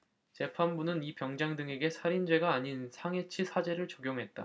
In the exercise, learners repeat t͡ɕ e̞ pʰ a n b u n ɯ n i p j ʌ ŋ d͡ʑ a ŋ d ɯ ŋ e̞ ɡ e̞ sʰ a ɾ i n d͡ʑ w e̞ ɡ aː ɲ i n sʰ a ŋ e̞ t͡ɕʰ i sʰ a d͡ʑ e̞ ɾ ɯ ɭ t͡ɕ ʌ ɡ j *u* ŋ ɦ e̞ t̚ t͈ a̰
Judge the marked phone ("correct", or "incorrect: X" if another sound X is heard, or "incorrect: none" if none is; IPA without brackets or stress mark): incorrect: o